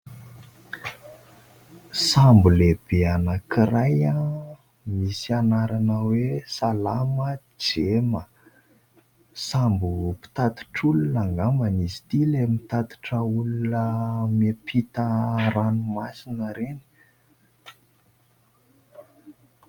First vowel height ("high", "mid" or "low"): low